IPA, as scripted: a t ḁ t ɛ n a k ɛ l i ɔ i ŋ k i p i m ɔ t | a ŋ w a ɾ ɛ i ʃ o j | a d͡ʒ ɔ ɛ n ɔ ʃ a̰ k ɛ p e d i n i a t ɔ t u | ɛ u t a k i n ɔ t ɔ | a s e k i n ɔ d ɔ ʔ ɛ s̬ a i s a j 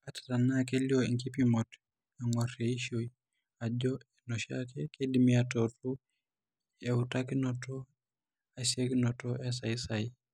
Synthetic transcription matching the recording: a t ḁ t a n a k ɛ l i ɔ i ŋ k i p i m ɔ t | a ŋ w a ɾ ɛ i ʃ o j | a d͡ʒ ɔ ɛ n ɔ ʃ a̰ k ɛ k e d i m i a t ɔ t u | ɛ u t a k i n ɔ t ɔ | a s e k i n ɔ t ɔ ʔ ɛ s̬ a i s a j